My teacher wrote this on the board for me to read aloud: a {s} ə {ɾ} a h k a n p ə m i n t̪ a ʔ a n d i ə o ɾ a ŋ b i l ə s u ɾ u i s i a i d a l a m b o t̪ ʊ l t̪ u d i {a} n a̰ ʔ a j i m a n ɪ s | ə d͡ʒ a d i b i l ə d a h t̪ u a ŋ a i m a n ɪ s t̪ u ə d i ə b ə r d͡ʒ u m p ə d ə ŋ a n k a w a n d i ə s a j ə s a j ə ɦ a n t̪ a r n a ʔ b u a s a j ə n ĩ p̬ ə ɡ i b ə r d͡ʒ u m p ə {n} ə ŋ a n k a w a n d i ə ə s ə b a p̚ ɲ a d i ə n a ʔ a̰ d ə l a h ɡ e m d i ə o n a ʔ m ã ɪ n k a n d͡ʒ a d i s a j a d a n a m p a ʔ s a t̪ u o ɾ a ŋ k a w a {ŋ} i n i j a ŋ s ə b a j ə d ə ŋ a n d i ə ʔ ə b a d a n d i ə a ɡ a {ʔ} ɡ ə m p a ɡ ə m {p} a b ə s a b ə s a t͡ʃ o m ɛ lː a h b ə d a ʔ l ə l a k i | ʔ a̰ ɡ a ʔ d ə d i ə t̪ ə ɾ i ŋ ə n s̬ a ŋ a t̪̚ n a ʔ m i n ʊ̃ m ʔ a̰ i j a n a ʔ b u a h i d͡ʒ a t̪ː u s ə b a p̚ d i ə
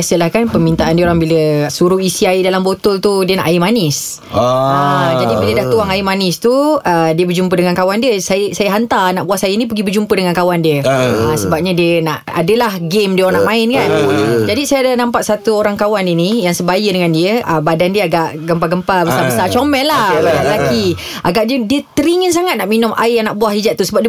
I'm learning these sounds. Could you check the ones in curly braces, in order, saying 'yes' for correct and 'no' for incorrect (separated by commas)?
yes, no, no, no, no, yes, yes